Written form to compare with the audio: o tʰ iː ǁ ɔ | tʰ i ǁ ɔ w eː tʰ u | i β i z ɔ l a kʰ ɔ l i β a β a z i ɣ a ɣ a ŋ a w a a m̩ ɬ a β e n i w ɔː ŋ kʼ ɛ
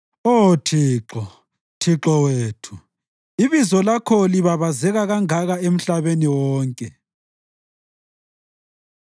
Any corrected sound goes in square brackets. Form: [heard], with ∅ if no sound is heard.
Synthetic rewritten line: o tʰ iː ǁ ɔ | tʰ i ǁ ɔ w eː tʰ u | i β i z ɔ l a kʰ ɔ l i β a β a z [ɛ] ɣ a ɣ a ŋ a [ɣ] a [e] m̩ ɬ a β e n i w ɔː ŋ kʼ ɛ